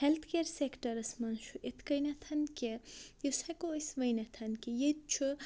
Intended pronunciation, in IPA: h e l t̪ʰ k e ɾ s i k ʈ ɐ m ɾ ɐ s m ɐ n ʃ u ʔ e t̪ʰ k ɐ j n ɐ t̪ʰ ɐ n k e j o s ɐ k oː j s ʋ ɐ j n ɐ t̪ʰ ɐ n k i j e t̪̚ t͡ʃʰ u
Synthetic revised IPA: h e l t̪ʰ k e ɾ s e k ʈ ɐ ɾ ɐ s m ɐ n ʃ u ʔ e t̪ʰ k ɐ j n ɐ t̪ʰ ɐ n k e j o s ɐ k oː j s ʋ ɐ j n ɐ t̪ʰ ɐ n k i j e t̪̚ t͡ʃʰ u